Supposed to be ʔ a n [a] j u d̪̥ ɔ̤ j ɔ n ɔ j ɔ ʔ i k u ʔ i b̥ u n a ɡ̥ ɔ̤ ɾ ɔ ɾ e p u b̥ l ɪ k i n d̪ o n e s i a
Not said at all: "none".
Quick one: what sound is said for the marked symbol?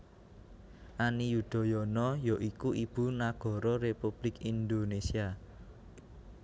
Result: i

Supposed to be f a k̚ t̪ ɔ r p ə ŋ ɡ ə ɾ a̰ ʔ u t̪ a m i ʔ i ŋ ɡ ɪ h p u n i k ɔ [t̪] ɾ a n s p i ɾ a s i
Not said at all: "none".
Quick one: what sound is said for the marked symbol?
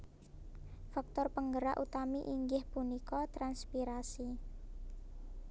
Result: t̪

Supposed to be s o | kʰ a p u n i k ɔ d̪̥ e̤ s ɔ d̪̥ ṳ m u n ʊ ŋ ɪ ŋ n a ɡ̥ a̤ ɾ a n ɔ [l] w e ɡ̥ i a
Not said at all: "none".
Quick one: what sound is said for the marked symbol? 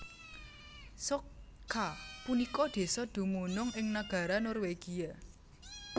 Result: r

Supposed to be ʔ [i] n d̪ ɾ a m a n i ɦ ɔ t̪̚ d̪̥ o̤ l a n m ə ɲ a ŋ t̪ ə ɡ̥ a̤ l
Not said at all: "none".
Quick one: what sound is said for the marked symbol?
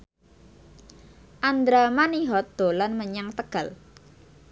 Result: a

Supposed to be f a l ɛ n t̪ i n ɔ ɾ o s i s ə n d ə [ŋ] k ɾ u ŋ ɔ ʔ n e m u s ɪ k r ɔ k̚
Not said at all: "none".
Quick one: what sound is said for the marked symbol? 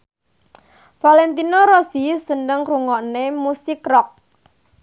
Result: ŋ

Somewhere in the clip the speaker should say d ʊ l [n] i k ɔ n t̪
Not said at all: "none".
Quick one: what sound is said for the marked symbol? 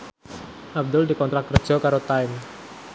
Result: d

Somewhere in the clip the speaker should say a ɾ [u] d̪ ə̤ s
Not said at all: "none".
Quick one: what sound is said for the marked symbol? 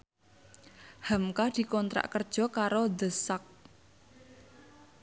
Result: o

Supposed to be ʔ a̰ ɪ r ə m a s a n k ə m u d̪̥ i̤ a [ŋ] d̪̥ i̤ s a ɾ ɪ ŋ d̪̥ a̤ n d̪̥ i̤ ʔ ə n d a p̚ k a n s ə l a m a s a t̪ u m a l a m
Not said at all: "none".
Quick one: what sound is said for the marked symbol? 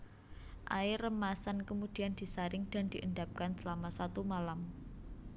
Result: n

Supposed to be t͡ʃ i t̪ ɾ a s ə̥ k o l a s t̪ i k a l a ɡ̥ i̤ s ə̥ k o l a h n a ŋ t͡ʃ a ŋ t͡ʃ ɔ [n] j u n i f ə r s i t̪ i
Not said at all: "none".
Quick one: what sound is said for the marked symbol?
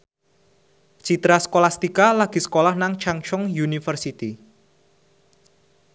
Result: ŋ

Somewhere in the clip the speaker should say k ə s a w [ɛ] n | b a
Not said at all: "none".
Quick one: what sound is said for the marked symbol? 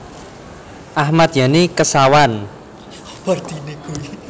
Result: a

